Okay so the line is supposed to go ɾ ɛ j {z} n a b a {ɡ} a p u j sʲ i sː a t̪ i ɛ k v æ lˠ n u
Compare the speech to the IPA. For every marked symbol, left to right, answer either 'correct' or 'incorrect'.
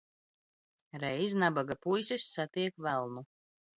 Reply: correct, correct

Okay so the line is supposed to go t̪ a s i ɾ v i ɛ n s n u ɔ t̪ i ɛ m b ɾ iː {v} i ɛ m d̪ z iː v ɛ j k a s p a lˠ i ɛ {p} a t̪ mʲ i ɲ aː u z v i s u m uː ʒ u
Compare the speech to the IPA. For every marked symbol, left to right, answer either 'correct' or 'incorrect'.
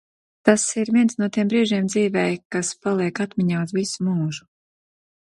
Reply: incorrect: ʒ, incorrect: k

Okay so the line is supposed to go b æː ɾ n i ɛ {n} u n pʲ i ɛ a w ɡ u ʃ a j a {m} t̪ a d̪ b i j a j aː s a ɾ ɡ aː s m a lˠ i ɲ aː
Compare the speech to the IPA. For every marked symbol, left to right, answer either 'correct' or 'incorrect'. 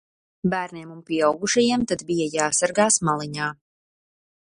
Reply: incorrect: m, correct

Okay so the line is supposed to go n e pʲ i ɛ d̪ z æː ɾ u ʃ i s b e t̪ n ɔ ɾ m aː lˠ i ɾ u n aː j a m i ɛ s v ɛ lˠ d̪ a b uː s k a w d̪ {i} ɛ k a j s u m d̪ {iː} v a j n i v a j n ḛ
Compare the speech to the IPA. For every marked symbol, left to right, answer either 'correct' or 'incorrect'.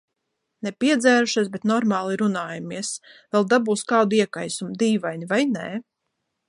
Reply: correct, correct

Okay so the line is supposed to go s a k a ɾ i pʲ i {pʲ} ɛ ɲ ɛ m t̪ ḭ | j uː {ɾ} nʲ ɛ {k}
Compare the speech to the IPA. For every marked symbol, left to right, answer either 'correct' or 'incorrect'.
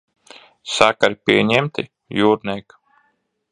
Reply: incorrect: none, correct, correct

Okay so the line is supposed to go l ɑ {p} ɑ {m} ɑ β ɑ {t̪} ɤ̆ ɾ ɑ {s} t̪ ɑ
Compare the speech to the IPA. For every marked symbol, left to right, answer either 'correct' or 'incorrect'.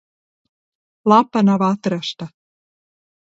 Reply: correct, incorrect: n, correct, incorrect: ʃ

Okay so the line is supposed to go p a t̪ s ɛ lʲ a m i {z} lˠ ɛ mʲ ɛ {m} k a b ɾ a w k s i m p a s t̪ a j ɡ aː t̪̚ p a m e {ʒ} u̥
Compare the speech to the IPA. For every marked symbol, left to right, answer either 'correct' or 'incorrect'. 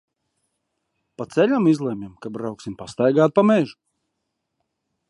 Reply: correct, correct, correct

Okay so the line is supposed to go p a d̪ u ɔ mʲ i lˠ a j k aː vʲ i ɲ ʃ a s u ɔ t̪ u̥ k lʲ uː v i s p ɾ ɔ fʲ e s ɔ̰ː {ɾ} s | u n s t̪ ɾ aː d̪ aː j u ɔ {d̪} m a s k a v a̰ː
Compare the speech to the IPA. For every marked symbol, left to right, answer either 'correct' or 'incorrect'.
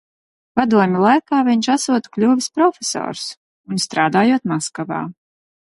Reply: correct, incorrect: t̪

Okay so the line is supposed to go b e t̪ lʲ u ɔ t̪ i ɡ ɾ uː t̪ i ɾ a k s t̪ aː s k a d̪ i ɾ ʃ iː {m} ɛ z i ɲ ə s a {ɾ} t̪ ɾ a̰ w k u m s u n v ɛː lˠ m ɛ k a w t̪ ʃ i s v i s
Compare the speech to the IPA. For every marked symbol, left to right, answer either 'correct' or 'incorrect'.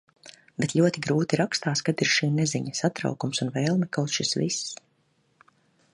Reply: incorrect: n, incorrect: none

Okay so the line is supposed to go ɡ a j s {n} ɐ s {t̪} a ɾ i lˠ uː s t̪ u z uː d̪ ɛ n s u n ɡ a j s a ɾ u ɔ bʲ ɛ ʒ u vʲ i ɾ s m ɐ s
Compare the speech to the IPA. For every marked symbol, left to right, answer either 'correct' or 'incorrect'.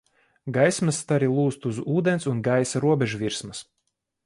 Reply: incorrect: m, correct

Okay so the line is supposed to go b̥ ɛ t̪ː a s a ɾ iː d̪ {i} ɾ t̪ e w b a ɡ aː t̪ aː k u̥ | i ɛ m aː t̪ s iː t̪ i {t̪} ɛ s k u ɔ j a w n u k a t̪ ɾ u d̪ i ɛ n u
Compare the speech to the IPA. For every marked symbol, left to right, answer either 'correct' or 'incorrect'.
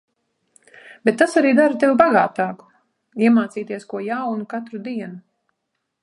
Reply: incorrect: a, incorrect: none

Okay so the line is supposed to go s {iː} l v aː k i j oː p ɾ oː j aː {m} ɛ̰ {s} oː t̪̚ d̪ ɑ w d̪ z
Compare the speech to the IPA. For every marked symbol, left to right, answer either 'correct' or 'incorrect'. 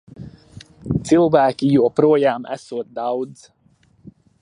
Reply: incorrect: i, correct, correct

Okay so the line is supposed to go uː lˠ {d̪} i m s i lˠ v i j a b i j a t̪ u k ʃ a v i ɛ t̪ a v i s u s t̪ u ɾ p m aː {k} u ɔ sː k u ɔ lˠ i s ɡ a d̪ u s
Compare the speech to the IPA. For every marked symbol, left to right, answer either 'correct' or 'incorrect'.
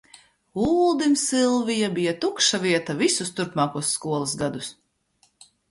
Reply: correct, correct

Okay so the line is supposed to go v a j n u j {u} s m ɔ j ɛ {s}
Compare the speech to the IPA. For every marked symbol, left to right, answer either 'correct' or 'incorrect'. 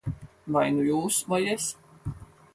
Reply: incorrect: uː, correct

